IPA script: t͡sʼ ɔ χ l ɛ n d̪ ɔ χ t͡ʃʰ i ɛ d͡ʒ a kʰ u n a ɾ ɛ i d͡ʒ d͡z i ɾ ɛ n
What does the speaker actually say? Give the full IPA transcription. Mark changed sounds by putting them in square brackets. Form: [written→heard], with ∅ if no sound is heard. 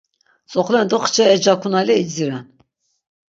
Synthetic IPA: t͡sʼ ɔ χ l ɛ n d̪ ɔ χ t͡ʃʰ [i→ɛ] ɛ d͡ʒ a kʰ u n a [ɾ→l] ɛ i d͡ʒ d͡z i ɾ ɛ n